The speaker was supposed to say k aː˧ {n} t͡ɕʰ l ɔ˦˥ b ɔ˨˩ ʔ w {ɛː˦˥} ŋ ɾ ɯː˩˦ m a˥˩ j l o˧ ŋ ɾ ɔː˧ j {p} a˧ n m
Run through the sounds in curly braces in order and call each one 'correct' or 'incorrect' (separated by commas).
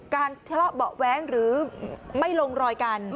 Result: correct, correct, incorrect